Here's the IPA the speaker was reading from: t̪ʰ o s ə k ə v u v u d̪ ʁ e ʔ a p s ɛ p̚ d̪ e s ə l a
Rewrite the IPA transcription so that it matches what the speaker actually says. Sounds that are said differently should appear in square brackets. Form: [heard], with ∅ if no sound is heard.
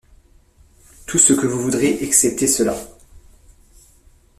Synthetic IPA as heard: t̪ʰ [u] s ə k ə v u v u d̪ ʁ e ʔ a [k] s ɛ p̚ [t̪] e s ə l a

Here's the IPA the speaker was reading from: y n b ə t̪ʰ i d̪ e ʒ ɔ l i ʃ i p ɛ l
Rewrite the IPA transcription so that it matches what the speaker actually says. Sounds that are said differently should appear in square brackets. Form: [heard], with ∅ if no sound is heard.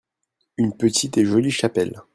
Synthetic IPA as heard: y n [p] ə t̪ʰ i [t̪] e ʒ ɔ l i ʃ [a] p ɛ l

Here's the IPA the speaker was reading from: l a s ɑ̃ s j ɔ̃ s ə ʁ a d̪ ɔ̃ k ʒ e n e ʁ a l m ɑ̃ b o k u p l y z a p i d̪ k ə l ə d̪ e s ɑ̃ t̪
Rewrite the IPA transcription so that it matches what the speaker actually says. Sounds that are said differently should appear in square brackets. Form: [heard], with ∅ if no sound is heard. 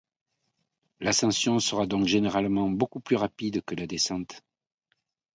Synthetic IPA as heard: l a s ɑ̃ s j ɔ̃ s ə ʁ a d̪ ɔ̃ k ʒ e n e ʁ a l m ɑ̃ b o k u p l y [ʁ] a p i d̪ k ə l [a] d̪ e s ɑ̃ t̪

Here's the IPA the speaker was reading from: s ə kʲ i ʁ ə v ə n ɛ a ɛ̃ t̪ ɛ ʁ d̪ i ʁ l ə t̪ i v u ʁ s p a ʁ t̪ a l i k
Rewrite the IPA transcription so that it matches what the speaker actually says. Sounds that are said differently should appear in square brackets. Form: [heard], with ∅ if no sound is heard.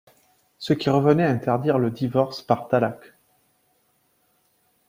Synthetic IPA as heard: s ə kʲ i ʁ ə v ə n ɛ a ɛ̃ t̪ ɛ ʁ d̪ i ʁ l ə [d̪] i v [ɔ] ʁ s p a ʁ t̪ a l [a] k

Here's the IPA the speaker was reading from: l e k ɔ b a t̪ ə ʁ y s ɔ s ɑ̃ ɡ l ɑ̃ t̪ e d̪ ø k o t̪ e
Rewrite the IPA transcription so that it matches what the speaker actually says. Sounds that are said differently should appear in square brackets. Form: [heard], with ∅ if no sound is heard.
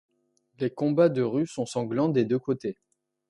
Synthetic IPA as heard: l e k [ɔ̃] b a [d̪] ə ʁ y s [ɔ̃] s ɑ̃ ɡ l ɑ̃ [d̪] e d̪ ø k o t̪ e

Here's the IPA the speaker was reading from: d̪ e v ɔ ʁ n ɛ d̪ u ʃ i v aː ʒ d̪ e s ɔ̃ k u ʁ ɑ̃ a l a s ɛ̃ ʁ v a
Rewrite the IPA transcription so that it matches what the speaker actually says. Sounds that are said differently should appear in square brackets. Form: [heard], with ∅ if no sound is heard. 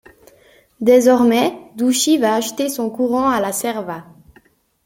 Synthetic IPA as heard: d̪ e [z] ɔ ʁ [m] ɛ d̪ u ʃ i v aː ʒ [t̪] e s ɔ̃ k u ʁ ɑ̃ a l a s [ɛ] ʁ v a

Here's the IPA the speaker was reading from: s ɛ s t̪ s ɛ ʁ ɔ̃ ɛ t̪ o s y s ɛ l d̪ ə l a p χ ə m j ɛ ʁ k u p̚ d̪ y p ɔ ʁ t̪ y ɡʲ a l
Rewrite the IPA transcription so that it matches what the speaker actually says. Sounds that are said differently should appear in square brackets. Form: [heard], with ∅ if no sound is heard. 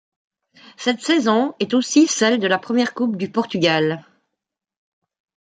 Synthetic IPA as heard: s ɛ [∅] t̪ s ɛ [z] ɔ̃ ɛ t̪ o s [i] s ɛ l d̪ ə l a p χ ə m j ɛ ʁ k u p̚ d̪ y p ɔ ʁ t̪ y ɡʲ a l

